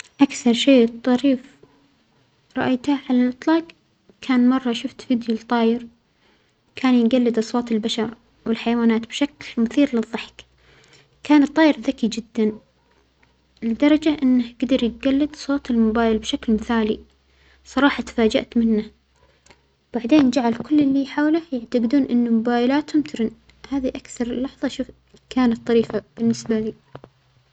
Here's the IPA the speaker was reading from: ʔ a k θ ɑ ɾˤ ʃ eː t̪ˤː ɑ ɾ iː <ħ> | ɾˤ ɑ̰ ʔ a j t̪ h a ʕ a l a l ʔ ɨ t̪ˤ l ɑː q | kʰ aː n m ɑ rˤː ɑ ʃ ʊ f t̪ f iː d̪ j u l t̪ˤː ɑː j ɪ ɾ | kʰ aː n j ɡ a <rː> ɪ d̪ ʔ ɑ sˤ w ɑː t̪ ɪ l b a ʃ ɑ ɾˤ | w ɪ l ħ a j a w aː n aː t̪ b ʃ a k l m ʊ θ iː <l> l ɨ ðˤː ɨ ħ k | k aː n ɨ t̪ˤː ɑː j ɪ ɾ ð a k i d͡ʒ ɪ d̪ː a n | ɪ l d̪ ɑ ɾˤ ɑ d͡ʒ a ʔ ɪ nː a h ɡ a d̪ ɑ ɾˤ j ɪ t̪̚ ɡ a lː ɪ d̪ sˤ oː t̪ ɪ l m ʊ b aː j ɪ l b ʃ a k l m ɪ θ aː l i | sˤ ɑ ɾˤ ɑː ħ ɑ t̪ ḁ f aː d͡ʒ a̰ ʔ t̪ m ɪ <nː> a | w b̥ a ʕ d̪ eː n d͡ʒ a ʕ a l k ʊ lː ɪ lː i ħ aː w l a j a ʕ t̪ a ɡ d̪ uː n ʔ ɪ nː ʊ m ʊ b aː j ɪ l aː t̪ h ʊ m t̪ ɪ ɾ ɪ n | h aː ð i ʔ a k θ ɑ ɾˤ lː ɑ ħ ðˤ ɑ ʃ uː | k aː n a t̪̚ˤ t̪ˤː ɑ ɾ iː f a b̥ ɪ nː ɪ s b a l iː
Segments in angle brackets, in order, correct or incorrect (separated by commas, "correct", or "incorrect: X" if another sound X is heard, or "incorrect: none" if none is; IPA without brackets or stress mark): incorrect: f, incorrect: lː, incorrect: ɾ, correct